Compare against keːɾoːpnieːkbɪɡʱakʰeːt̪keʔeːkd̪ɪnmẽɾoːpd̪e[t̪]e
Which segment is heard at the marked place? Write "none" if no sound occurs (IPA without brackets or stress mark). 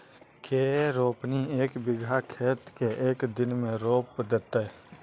t̪